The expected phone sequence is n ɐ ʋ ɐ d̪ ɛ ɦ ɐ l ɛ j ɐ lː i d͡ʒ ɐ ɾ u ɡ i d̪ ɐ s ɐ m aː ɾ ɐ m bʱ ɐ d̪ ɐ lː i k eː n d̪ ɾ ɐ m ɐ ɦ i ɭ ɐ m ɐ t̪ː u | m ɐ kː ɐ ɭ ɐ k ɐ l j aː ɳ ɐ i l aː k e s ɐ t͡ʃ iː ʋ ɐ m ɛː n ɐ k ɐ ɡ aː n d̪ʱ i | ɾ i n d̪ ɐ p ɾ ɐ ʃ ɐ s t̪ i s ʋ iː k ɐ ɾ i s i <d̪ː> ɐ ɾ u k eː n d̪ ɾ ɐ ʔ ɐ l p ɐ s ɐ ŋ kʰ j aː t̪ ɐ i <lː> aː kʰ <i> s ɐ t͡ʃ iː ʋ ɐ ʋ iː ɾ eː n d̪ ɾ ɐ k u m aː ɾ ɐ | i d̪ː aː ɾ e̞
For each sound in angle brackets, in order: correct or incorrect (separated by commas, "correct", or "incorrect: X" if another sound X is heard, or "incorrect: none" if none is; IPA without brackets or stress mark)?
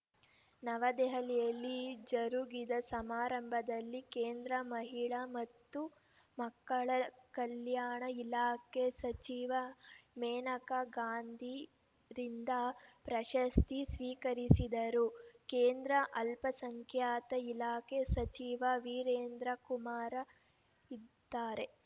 incorrect: d̪, incorrect: l, incorrect: e